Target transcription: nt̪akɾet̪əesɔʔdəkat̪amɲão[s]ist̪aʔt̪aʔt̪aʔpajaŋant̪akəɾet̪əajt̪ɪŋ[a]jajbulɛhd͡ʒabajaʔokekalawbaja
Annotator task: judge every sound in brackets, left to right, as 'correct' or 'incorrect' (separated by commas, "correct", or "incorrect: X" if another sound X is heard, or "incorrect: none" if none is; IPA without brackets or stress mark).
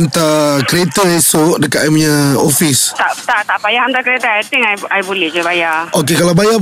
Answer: incorrect: f, correct